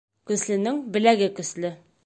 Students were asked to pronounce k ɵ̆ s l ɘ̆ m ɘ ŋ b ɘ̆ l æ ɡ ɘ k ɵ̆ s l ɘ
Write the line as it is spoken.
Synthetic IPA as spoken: k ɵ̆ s l ɘ̆ n ɘ ŋ b ɘ̆ l æ ɡ ɘ k ɵ̆ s l ɘ